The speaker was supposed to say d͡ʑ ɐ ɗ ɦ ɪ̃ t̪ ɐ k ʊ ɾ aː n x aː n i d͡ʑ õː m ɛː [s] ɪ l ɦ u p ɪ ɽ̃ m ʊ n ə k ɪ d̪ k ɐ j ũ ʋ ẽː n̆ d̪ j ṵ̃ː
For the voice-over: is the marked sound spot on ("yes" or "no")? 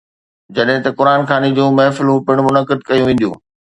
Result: no